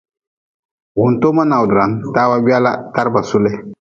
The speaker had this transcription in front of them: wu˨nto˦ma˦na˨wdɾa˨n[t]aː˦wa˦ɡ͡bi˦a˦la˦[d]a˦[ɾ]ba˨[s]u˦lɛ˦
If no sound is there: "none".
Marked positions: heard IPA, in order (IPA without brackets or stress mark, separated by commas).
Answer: t, t, ɾ, s